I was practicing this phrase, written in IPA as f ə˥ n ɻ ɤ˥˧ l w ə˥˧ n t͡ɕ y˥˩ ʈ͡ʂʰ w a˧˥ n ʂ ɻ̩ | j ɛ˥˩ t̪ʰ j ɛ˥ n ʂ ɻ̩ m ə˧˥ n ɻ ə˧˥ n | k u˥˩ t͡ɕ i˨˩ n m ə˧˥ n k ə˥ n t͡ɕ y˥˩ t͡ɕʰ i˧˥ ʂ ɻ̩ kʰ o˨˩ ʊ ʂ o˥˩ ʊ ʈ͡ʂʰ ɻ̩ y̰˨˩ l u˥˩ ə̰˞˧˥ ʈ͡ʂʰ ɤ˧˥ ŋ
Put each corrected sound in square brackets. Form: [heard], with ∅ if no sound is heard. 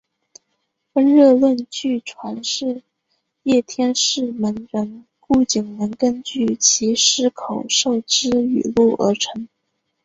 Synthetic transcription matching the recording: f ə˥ n ɻ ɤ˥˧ l w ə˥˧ n t͡ɕ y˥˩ ʈ͡ʂʰ w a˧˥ n ʂ ɻ̩ | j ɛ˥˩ t̪ʰ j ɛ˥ n ʂ ɻ̩ m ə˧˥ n ɻ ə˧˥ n | k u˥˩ t͡ɕ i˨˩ [ŋ] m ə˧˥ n k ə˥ n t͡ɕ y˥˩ t͡ɕʰ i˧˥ ʂ ɻ̩ kʰ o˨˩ ʊ ʂ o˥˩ ʊ [ʈ͡ʂ] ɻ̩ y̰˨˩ l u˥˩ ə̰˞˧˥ ʈ͡ʂʰ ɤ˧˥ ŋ